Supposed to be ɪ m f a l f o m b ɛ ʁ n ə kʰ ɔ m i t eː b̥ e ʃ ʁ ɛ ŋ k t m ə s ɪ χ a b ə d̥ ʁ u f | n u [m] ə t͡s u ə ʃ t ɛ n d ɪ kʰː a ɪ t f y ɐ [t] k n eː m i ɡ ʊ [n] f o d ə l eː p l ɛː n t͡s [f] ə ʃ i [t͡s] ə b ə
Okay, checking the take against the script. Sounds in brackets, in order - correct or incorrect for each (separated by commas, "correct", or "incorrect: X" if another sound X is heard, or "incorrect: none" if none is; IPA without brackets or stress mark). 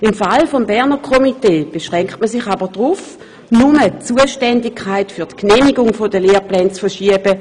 correct, correct, incorrect: ŋ, correct, incorrect: none